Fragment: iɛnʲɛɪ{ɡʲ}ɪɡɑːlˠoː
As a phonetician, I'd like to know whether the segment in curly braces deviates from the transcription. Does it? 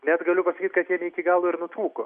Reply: yes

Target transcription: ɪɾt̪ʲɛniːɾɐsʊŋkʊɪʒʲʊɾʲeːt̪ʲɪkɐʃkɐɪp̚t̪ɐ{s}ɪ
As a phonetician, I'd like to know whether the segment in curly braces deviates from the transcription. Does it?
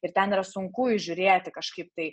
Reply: yes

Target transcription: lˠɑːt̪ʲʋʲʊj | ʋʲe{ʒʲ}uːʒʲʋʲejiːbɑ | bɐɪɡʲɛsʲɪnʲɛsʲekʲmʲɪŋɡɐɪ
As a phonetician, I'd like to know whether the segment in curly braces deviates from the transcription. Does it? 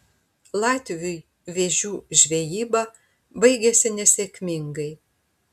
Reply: no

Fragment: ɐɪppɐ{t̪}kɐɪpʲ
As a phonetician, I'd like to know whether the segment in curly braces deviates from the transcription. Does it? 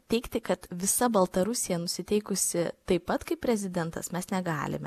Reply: no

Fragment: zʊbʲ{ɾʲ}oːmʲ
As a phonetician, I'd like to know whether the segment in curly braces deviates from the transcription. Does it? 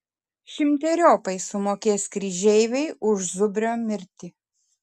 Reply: no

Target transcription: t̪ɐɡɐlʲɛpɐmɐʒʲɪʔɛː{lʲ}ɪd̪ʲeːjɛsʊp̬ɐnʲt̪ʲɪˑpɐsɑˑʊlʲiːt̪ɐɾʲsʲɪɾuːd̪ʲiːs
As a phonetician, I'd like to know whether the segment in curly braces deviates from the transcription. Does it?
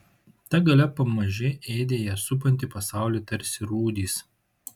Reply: yes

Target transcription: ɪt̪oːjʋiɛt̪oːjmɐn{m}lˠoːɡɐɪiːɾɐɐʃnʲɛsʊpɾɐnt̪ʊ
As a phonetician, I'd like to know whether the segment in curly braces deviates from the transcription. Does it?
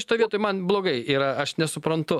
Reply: yes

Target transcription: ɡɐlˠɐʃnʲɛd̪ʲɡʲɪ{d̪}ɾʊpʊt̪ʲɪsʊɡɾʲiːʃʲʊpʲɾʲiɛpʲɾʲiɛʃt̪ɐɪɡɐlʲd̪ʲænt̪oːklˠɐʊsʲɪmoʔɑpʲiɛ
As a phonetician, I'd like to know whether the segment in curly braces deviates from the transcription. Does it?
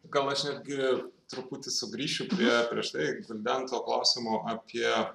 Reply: yes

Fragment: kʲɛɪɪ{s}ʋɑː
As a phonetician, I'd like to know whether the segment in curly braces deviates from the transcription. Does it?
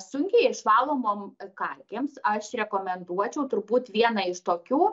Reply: yes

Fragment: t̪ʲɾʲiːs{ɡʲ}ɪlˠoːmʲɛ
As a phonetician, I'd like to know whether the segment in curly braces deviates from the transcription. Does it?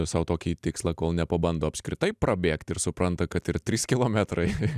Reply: yes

